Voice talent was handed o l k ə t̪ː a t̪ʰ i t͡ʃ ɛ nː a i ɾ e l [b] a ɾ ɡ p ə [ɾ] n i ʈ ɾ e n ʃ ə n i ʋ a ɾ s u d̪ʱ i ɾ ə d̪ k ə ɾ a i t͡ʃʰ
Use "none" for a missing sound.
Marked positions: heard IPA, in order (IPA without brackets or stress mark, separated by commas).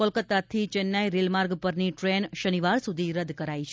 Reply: m, ɾ